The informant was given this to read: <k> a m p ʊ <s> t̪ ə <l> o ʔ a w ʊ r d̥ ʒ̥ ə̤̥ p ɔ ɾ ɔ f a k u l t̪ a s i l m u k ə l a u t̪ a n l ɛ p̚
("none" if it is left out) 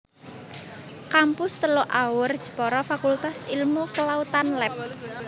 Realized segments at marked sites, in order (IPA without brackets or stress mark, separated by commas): k, s, l